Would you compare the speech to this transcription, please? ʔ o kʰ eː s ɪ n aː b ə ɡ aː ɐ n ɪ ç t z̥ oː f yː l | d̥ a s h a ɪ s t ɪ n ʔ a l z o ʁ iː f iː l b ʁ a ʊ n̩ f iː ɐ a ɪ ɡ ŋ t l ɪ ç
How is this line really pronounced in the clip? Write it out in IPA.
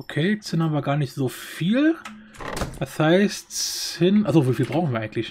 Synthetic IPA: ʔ o kʰ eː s ɪ n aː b ɐ ɡ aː ɐ n ɪ ç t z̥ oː f iː l | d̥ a s h a ɪ s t ɪ n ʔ a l z o v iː f iː l b ʁ a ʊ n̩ v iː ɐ a ɪ ɡ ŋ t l ɪ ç